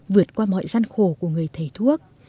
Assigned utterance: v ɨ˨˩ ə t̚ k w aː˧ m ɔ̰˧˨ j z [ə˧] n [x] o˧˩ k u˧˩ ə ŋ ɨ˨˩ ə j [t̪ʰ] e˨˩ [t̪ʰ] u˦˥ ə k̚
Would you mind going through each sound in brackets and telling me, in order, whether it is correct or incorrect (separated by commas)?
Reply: incorrect, correct, correct, correct